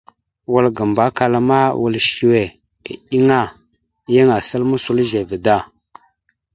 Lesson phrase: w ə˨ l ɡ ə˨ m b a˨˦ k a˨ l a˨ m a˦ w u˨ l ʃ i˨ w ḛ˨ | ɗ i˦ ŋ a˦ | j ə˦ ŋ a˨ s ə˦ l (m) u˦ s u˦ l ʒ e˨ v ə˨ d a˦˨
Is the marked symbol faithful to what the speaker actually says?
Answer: yes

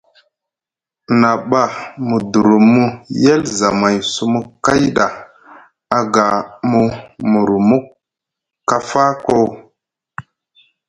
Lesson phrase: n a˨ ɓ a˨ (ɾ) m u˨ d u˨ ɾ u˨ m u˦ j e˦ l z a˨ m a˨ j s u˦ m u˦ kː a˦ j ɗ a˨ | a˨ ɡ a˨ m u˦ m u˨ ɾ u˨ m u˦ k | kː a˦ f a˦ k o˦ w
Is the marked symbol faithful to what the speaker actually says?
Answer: no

